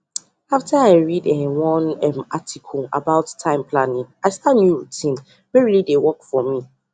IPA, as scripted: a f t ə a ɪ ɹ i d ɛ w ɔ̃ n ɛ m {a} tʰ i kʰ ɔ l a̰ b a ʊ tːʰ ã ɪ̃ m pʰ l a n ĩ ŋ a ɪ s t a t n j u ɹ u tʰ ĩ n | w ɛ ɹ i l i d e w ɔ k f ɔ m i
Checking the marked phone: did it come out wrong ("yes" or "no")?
no